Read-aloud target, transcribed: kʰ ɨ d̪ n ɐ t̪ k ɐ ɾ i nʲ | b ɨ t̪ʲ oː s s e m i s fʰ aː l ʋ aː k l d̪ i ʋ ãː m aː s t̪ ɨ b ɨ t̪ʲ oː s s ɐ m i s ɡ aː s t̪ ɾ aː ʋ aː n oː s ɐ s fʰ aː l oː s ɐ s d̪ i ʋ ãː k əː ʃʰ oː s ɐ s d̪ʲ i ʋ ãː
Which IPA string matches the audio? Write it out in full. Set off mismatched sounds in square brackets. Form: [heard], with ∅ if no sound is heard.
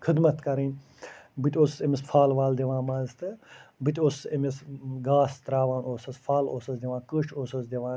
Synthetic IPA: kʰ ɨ d̪ [m] ɐ t̪ k ɐ ɾ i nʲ | b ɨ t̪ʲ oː s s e m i s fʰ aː l ʋ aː [∅] l d̪ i ʋ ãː m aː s t̪ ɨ b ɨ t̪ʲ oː s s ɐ m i s ɡ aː s t̪ ɾ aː ʋ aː n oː s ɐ s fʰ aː l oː s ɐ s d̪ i ʋ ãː k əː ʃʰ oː s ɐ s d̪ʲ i ʋ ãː